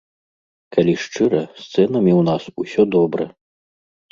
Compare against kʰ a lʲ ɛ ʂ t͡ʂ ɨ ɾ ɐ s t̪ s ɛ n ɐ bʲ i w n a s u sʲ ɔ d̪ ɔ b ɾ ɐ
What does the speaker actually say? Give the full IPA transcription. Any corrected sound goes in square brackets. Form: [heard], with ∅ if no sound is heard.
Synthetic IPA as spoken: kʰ a lʲ [i] ʂ t͡ʂ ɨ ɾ ɐ s t̪ s ɛ n ɐ [mʲ] i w n a s u sʲ ɔ d̪ ɔ b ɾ ɐ